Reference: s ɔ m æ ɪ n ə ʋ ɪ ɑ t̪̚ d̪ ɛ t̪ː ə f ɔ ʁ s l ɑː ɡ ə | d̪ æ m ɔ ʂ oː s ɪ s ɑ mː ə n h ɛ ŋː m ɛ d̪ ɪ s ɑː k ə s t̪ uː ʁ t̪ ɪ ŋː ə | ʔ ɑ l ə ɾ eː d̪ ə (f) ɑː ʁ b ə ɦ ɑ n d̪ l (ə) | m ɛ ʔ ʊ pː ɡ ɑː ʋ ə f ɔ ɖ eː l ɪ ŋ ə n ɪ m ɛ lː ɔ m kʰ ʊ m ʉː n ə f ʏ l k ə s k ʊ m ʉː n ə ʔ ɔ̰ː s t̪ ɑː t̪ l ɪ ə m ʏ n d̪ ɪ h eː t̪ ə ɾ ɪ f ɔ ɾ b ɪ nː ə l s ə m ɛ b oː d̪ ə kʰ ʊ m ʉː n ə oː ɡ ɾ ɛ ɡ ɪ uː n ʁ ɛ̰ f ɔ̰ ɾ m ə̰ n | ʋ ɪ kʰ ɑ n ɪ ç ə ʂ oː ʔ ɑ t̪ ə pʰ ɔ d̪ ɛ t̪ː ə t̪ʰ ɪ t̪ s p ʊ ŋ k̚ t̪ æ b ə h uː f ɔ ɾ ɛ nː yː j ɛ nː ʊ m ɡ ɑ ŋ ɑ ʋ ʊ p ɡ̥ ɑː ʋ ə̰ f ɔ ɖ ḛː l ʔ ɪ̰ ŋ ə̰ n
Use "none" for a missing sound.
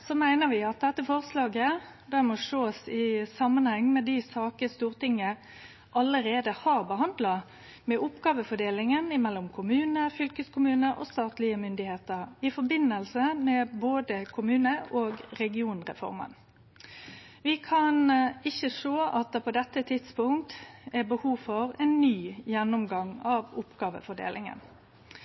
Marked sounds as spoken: h, ɑ

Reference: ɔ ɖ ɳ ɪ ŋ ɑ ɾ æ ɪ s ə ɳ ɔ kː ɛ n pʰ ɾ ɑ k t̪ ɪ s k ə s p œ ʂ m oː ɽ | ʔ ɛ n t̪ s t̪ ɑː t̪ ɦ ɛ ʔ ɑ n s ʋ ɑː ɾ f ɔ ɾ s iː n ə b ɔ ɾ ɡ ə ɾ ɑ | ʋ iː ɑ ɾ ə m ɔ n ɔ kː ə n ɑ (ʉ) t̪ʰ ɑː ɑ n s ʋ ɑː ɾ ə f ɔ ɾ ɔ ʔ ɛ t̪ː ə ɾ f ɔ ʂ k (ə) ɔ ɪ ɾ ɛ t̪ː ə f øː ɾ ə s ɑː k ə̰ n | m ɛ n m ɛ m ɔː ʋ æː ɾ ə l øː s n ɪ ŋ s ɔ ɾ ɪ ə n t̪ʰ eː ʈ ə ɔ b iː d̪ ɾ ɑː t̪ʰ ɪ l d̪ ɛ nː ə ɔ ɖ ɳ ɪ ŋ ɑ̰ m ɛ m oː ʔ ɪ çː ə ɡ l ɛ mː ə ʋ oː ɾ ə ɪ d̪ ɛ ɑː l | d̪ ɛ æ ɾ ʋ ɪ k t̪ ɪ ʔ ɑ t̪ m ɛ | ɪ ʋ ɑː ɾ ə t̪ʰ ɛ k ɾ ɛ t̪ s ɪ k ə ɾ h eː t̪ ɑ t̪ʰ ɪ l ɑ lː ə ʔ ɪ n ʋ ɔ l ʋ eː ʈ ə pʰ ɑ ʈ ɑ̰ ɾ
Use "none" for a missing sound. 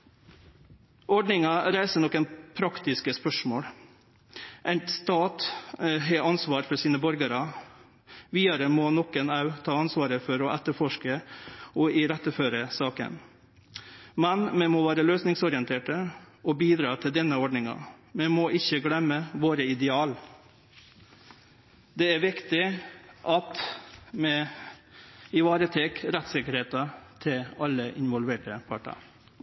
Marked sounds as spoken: ʉ, ə

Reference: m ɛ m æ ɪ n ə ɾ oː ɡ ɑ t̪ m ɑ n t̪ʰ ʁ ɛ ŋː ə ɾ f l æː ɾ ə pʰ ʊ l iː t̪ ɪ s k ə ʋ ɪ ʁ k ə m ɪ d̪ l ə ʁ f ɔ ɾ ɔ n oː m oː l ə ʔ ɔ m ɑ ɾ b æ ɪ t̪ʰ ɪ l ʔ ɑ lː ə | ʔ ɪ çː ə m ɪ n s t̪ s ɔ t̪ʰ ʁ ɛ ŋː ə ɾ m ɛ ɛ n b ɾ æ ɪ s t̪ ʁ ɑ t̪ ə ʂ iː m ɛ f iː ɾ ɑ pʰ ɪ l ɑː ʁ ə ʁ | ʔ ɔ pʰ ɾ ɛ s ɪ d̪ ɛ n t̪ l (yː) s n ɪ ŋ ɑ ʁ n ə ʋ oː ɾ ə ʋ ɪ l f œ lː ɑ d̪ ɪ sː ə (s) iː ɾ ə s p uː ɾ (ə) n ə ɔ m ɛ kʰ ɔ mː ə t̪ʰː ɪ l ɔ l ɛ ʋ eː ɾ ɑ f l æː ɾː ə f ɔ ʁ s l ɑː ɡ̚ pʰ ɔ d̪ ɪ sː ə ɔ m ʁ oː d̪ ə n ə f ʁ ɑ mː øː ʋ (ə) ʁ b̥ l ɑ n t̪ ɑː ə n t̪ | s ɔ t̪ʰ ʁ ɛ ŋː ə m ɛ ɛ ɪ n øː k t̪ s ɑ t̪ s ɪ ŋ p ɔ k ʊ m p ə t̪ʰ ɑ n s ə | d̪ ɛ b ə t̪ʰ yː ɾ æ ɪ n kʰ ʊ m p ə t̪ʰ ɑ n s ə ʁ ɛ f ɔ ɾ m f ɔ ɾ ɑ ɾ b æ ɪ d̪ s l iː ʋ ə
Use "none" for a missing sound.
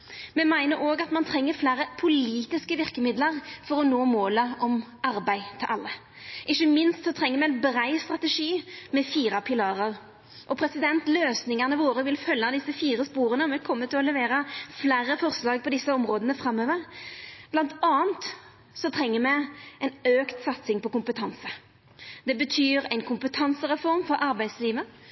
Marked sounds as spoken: øː, f, ə, ə

